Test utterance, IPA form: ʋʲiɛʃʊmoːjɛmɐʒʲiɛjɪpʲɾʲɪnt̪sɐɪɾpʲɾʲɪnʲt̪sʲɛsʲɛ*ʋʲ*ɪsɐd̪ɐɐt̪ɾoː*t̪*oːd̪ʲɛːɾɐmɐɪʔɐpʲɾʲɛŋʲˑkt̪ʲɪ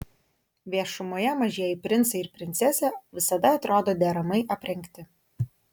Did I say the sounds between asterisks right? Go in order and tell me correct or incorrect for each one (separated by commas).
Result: correct, incorrect